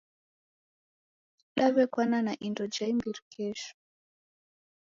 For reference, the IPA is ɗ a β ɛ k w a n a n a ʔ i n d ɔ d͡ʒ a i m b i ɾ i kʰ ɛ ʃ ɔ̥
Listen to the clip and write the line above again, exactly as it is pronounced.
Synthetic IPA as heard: ɗ a β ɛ k w a n a n a ʔ i n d ɔ d͡ʒ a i m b i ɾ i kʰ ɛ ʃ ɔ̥